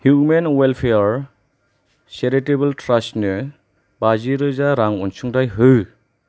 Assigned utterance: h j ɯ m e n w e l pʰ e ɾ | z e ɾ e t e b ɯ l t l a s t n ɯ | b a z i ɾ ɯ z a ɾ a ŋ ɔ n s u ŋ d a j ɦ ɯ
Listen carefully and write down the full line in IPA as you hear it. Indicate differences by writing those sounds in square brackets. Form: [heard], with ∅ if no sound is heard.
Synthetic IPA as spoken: h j [u] m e n w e l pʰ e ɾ | [s] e ɾ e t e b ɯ l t [ɾ] a s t n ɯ | b a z i ɾ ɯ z a ɾ a ŋ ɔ n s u ŋ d a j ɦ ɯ